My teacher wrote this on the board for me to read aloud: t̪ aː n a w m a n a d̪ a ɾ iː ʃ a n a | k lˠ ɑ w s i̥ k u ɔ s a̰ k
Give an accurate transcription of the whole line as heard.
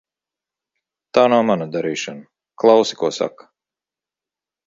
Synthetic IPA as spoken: t̪ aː n a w m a n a d̪ a ɾ iː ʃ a n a | k lˠ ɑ w s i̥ k u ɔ s a̰ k